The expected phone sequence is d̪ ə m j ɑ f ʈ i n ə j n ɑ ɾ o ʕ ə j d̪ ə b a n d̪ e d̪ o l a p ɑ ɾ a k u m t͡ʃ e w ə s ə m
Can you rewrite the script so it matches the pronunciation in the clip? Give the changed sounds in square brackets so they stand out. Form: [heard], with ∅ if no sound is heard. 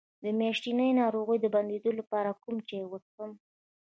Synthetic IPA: d̪ ə m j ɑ [ʃ] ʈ i n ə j n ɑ ɾ o [ɣ] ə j d̪ ə b a n d̪ e d̪ o l a p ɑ ɾ a k u m t͡ʃ e w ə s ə m

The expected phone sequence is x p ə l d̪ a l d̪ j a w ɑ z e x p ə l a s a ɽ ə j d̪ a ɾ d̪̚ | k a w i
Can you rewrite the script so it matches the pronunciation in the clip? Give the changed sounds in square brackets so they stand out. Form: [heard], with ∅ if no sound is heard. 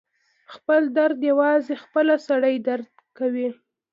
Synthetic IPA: x p ə l d̪ a [ɾ] d̪ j a w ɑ z e x p ə l a s a ɽ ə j d̪ a ɾ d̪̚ | k a w i

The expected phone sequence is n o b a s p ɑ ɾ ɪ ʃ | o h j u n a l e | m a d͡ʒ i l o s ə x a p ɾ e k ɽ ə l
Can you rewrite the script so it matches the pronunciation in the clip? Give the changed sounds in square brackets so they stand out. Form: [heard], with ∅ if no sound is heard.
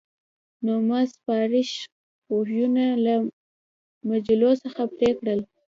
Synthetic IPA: n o [m] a s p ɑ ɾ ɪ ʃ | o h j u n a l [a] | m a d͡ʒ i l o s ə x a p ɾ e k ɽ ə l

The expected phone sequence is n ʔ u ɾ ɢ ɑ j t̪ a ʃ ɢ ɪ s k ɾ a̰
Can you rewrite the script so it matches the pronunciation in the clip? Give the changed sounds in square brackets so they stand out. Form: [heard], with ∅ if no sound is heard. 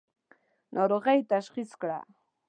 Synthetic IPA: n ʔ [o] ɾ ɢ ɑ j t̪ a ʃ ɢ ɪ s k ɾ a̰

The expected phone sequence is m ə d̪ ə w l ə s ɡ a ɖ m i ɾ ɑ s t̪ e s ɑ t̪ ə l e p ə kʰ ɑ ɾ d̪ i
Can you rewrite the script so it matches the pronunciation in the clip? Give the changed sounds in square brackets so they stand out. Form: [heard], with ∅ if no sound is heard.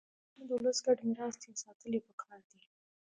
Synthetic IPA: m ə d̪ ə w l ə s ɡ a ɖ m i ɾ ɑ s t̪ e s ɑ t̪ ə l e p ə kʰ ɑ ɾ d̪ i

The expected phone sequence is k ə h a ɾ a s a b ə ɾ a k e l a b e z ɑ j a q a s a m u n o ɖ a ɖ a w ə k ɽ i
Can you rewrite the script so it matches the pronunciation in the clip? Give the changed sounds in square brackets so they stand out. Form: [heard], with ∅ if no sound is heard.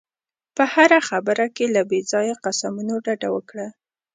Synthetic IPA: [p] ə h a ɾ a [x] a b ə ɾ a k e l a b e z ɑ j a q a s a m u n o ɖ a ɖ a w ə k ɽ [a]

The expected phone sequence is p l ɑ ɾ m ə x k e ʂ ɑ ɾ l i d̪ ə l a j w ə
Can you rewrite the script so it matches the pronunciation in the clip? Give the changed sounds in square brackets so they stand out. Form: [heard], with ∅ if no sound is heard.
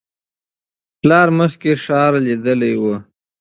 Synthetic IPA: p l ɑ ɾ m ə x k e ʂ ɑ ɾ l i d̪ ə l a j w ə

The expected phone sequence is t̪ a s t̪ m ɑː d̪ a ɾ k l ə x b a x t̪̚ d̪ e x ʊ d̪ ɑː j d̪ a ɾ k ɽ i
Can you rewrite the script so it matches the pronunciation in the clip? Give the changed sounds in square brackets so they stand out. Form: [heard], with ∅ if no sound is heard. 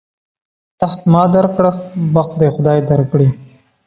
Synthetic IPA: t̪ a [x] t̪ m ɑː d̪ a ɾ k [ɽ] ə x b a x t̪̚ d̪ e x ʊ d̪ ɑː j d̪ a ɾ k ɽ i

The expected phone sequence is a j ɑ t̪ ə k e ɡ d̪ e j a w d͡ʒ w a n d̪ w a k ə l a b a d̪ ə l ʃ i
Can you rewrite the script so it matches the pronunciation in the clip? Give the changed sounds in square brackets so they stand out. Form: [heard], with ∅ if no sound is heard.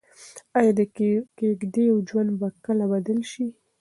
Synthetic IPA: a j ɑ [d̪] ə k e ɡ d̪ e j a w d͡ʒ w a n d̪ [b] a k ə l a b a d̪ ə l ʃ i

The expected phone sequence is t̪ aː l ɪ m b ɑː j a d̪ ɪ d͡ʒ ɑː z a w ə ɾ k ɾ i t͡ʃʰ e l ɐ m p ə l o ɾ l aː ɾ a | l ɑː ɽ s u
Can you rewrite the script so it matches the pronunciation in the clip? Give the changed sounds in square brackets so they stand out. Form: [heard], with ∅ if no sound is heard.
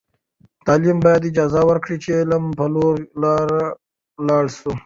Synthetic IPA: t̪ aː l [i] m b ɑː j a d̪ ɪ d͡ʒ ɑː z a w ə ɾ k [ɽ] i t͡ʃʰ e l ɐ m p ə l o ɾ l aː ɾ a | l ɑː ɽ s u

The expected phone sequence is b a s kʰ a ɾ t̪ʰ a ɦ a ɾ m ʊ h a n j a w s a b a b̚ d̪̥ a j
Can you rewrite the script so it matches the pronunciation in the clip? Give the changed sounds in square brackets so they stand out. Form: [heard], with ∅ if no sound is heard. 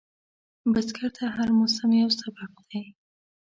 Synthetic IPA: b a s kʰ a ɾ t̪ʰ a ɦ a ɾ m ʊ [s] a [m] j a w s a b a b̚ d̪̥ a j

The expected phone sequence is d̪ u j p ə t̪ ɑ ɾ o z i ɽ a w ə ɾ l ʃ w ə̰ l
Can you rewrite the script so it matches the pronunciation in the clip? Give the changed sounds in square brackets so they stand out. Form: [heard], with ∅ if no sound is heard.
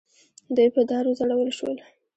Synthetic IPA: d̪ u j p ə [d̪] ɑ ɾ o z [a] ɽ a w ə [∅] l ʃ w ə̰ l

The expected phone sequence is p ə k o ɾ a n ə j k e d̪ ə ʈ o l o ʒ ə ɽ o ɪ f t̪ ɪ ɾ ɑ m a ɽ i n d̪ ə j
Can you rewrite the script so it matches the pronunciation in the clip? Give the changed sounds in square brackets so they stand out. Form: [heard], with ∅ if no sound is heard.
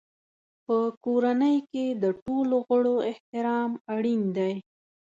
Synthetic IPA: p ə k o ɾ a n ə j k e d̪ ə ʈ o l o [ɣ] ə ɽ o ɪ [h] t̪ ɪ ɾ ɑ m a ɽ i n d̪ [a] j

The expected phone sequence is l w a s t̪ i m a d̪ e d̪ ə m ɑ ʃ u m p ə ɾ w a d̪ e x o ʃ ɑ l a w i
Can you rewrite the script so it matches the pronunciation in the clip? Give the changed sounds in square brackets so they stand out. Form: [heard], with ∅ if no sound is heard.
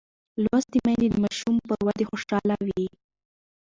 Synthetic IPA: l w a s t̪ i m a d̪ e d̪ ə m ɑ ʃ u m p ə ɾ w a d̪ e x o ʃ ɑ l a w i

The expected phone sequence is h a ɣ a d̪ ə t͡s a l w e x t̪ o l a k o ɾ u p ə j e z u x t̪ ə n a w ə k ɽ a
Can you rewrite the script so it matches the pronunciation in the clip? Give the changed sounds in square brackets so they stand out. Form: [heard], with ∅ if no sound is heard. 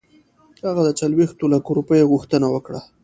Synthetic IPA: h a ɣ a d̪ ə t͡s a l w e x t̪ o l a k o ɾ u p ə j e [ɣ] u x t̪ ə n a w ə k ɽ a

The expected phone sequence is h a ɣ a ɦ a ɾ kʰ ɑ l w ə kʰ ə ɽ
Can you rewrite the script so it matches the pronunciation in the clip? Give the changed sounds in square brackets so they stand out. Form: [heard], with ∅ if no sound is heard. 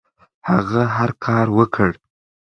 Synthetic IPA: h a ɣ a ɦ a ɾ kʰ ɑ [ɾ] w ə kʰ ə ɽ

